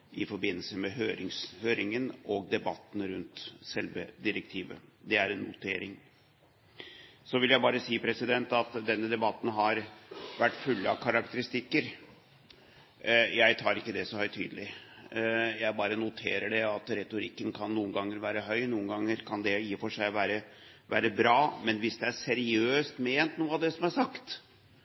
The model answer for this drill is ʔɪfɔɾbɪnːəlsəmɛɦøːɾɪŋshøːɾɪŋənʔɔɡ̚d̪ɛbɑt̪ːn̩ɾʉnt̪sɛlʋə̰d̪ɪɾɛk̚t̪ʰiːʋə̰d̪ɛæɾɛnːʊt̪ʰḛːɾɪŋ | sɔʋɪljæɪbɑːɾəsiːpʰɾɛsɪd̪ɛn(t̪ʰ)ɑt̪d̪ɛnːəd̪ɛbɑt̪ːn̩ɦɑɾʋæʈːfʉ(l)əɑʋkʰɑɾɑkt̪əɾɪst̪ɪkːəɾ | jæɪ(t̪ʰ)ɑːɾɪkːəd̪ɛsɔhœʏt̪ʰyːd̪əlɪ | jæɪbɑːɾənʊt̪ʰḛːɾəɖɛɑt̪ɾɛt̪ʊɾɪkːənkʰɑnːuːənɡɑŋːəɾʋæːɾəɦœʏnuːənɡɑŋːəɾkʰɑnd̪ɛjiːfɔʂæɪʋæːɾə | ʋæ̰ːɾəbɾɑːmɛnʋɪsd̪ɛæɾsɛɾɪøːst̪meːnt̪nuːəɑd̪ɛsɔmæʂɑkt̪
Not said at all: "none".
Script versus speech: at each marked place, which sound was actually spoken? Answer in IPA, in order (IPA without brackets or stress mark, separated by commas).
t̪, lː, t̪ʰ